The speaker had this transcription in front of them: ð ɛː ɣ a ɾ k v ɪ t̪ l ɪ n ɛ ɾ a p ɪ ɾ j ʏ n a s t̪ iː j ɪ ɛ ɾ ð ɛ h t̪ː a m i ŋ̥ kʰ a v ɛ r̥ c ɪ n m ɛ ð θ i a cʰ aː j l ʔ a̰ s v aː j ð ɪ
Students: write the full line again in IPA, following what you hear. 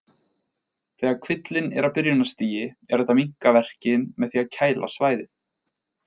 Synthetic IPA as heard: θ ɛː ɣ a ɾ kʰ v ɪ t̪ l ɪ n ɛ ɾ a p ɪ ɾ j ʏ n a s t̪ iː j ɪ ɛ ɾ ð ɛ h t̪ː a m i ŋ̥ k a v ɛ r̥ c ɪ n m ɛ ð θ i a cʰ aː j l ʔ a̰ s v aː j ð ɪ